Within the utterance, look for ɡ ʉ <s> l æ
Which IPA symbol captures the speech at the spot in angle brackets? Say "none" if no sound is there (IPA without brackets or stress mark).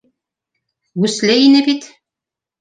s